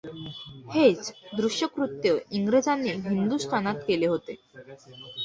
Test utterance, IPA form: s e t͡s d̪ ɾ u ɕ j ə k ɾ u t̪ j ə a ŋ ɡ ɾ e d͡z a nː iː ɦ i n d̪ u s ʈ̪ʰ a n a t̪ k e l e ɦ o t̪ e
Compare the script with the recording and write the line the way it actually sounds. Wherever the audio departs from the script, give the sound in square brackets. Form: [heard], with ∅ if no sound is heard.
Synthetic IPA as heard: [h] e t͡s d̪ ɾ u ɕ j ə k ɾ u t̪ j ə [i] ŋ ɡ ɾ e d͡z a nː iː ɦ i n d̪ u s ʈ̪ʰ a n a t̪ k e l e ɦ o t̪ e